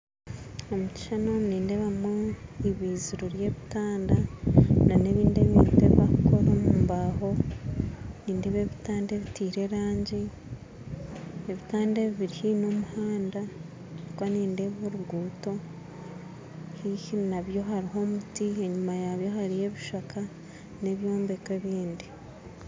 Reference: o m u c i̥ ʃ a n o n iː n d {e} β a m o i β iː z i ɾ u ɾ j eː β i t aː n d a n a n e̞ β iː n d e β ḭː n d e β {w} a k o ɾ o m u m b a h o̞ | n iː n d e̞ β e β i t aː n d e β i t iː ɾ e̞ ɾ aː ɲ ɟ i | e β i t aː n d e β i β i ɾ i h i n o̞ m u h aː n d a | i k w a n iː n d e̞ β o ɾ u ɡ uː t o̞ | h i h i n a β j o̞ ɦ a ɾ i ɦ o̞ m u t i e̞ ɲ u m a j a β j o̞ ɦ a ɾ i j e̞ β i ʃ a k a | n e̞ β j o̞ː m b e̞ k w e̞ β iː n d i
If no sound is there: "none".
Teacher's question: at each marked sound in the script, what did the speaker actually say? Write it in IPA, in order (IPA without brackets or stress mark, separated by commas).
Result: e, β